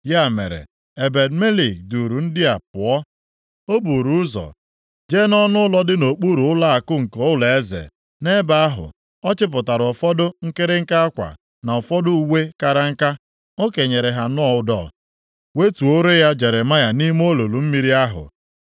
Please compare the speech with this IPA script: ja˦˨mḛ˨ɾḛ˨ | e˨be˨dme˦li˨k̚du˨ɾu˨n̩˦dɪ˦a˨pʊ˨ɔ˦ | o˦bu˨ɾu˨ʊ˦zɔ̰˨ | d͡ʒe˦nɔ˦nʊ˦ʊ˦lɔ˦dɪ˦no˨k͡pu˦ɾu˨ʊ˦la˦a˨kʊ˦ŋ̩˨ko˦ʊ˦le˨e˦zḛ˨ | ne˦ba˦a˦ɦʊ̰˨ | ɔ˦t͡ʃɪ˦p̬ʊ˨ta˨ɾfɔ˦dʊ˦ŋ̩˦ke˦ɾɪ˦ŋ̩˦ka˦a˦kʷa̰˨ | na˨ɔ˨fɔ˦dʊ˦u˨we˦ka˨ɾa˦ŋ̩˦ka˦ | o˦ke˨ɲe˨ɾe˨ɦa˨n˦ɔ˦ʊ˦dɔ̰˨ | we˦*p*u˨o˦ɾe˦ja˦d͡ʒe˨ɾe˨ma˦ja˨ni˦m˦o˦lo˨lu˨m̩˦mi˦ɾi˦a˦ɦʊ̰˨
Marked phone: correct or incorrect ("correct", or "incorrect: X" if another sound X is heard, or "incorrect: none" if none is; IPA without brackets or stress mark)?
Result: incorrect: t